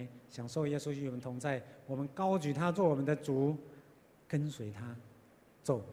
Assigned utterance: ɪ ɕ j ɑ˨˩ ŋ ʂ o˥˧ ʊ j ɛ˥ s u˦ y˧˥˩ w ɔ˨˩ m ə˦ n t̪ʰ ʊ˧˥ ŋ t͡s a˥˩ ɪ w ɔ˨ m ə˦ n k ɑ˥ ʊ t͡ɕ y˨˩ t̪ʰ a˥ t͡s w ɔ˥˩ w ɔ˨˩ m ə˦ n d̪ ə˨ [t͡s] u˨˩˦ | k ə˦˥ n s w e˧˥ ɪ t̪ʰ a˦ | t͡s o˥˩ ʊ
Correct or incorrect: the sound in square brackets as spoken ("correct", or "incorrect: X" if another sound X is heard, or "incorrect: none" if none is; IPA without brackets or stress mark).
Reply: correct